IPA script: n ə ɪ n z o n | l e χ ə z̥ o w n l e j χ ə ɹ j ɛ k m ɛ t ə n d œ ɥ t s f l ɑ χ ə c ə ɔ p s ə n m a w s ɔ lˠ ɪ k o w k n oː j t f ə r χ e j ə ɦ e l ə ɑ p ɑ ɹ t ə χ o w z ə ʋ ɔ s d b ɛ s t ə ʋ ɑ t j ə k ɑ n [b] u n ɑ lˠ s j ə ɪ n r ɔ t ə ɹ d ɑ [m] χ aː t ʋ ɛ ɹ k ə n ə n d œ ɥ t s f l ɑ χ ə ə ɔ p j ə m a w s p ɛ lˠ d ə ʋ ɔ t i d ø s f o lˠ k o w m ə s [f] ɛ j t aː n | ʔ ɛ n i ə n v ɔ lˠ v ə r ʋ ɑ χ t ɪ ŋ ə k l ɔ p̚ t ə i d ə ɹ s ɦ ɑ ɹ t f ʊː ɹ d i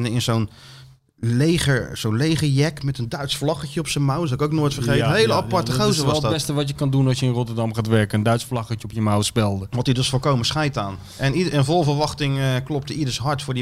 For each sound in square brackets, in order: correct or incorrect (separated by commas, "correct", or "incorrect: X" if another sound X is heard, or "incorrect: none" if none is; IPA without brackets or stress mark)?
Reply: incorrect: d, correct, incorrect: χ